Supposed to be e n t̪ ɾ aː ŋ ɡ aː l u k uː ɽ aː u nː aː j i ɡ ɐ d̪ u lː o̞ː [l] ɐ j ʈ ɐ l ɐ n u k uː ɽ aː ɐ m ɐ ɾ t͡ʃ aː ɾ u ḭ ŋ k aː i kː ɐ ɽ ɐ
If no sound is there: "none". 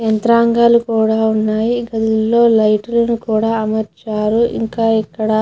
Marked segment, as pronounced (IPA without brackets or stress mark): l